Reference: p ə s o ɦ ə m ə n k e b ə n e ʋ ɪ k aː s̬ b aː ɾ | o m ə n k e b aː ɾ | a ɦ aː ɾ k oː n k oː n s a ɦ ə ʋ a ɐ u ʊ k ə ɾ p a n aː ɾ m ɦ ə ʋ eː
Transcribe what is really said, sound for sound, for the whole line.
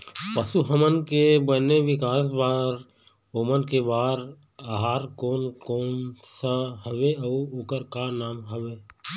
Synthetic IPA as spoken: p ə s u ɦ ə m ə n k e b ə n e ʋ ɪ k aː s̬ b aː ɾ | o m ə n k e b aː ɾ | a ɦ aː ɾ k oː n k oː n s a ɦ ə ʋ e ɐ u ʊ k ə ɾ k a n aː m ɦ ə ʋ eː